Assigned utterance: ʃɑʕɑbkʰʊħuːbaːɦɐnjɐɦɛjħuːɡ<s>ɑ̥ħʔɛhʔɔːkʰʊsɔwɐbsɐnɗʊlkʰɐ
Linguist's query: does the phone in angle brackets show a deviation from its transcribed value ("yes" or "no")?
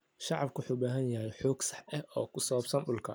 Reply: no